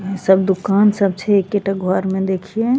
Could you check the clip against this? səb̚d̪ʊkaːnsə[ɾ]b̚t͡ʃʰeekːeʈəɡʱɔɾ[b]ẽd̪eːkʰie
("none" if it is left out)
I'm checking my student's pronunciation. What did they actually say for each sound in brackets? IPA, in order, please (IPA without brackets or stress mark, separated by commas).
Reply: none, m